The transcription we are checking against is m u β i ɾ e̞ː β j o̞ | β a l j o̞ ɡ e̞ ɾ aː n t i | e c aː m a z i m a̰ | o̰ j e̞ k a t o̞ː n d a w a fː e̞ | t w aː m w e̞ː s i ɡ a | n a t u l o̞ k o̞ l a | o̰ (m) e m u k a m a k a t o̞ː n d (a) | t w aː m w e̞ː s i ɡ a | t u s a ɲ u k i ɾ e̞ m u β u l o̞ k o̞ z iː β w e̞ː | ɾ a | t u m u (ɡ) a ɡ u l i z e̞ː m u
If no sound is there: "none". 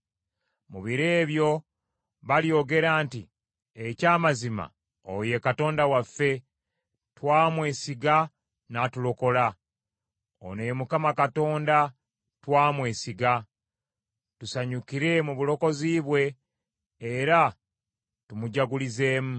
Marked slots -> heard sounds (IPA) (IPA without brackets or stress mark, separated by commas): n, a, ɟ